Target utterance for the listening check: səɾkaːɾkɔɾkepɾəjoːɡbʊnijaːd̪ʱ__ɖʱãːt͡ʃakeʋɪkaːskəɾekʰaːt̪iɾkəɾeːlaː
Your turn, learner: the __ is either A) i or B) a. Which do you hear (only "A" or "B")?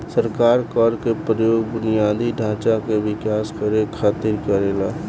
A